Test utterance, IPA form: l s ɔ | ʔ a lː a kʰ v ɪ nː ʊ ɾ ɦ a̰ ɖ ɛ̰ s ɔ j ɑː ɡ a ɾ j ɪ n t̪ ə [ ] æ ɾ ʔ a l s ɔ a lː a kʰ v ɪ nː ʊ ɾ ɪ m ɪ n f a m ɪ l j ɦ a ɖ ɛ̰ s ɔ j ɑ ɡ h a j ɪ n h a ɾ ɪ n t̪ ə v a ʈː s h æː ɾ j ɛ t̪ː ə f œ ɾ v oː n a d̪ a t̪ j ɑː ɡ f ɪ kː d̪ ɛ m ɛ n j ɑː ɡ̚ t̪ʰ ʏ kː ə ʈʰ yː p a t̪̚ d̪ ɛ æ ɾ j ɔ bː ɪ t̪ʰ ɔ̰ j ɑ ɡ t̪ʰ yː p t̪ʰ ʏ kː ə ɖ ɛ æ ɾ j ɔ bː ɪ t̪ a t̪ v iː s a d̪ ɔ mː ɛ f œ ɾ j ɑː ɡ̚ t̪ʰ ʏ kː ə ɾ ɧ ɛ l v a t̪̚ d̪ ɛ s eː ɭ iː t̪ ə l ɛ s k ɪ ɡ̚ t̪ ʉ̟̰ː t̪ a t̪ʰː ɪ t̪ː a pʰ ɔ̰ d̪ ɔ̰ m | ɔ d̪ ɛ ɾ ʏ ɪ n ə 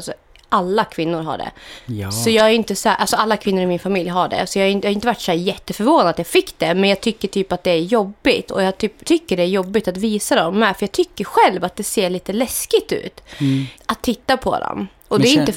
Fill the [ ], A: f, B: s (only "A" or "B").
B